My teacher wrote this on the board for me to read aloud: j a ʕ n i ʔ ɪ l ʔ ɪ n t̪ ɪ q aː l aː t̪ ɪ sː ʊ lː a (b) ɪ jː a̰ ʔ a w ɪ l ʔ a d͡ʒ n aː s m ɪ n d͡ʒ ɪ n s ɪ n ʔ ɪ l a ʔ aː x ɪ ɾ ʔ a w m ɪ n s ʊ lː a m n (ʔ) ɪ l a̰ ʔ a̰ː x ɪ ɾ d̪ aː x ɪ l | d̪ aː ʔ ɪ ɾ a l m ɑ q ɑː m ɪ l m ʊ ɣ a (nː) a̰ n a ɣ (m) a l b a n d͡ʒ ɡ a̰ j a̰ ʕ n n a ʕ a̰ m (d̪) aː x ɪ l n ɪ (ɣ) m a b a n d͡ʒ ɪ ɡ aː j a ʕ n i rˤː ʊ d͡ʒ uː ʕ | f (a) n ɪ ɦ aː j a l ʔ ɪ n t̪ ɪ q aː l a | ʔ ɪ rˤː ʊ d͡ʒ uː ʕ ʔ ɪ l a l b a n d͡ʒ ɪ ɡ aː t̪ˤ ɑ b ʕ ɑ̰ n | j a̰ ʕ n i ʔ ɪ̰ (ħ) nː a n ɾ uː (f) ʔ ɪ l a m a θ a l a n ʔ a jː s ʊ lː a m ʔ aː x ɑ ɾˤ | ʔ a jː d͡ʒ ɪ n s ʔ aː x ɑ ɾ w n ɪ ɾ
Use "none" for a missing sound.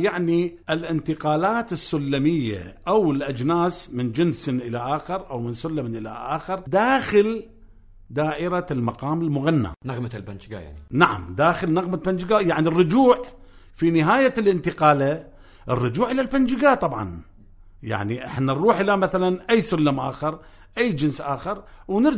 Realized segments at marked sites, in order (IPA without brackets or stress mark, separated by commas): m, ʔ, nː, m, d̪, ɣ, i, ħ, ħ